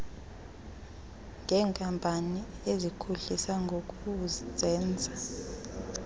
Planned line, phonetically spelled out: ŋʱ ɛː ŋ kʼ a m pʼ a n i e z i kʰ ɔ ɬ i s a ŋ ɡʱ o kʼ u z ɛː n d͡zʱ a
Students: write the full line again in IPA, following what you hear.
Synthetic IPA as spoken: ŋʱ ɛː ŋ kʼ a m pʼ a n i e z i kʰ u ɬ i s a ŋ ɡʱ o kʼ u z ɛː n d͡zʱ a

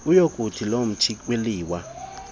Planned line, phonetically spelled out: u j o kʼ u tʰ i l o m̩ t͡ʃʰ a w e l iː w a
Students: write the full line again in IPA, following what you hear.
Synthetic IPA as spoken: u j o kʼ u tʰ i l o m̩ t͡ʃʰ i w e l iː w a

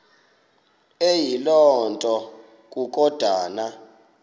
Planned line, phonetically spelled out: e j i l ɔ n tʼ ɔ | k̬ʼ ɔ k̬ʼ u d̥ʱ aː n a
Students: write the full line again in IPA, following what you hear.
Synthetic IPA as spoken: e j i l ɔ n tʼ ɔ | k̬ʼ u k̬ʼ ɔ d̥ʱ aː n a

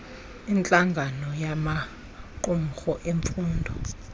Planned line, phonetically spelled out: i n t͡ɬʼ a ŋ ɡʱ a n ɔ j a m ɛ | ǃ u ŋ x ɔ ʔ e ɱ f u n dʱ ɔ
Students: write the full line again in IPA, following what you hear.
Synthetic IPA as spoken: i n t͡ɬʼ a ŋ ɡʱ a n ɔ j a m a | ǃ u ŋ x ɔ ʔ e ɱ f uː n dʱ ɔ

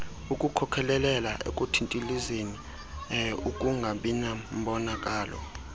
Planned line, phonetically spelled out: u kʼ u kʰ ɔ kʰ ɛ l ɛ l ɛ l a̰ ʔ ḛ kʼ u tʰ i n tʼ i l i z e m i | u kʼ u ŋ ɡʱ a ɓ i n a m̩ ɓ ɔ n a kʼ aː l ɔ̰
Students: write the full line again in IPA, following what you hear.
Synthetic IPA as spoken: u kʼ u kʰ ɔ kʰ ɛ l ɛ l ɛ l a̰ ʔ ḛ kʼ u tʰ i n tʼ i l i z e n i | u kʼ u ŋ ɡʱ a ɓ i n a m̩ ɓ ɔ n a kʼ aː l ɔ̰

